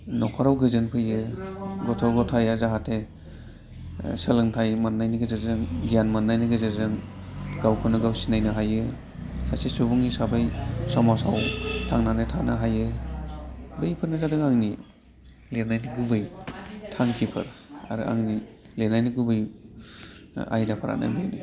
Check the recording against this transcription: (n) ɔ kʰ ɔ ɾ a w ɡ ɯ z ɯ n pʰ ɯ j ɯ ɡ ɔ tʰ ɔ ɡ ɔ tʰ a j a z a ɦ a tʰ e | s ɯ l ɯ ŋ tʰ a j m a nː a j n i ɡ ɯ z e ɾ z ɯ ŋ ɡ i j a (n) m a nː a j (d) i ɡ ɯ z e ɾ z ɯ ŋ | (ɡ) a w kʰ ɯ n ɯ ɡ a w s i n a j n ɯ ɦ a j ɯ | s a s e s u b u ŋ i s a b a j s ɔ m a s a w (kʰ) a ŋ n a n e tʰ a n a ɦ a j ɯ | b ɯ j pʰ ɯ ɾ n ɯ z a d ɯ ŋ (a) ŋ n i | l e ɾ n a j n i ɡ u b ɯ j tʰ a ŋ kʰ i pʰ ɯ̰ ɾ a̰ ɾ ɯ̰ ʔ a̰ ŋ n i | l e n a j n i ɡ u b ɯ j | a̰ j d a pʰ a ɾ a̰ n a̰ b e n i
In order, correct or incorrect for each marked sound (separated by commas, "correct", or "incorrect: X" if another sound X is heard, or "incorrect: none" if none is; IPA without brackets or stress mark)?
correct, correct, incorrect: n, correct, incorrect: tʰ, correct